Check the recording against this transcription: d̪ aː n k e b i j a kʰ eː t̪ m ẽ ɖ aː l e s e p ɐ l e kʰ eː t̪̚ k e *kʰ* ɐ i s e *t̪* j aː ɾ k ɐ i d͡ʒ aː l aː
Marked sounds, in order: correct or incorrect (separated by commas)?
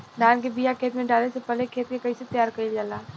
incorrect, correct